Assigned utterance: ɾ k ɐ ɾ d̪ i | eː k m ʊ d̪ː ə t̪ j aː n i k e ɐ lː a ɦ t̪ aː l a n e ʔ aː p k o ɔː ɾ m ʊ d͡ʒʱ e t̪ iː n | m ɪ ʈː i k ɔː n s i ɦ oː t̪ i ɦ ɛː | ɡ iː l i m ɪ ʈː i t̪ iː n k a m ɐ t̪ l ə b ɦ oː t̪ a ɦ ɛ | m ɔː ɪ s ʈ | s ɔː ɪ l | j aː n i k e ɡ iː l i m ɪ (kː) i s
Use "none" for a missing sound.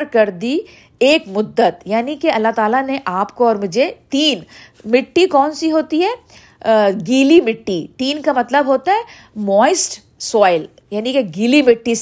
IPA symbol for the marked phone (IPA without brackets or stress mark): ʈː